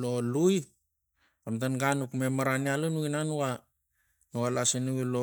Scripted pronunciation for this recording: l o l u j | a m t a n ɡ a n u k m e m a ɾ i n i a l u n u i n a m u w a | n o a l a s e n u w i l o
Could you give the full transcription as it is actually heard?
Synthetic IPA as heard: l o l u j | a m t a n ɡ a n u k m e m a ɾ a n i a l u n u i n a n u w a | n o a l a s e n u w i l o